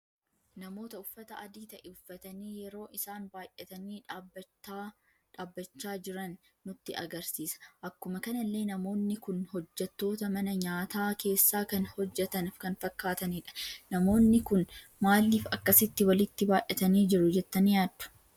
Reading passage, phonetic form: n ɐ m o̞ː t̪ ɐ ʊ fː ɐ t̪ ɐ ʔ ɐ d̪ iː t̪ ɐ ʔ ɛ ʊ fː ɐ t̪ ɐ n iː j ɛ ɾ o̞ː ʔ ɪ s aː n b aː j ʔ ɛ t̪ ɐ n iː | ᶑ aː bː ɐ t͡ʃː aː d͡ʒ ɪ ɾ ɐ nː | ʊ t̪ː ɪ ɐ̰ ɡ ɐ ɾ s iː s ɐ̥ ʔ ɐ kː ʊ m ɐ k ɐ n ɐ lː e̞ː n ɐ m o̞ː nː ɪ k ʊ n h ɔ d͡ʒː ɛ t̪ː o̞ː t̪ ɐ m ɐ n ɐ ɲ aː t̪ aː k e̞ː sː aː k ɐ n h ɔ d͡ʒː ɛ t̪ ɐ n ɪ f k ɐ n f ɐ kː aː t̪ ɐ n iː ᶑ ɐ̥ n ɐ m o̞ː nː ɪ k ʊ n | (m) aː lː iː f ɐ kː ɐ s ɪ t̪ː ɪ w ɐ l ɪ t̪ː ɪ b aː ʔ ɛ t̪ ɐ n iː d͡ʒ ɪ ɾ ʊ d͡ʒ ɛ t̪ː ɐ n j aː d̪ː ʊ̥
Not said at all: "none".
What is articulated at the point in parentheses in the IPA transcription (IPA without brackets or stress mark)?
m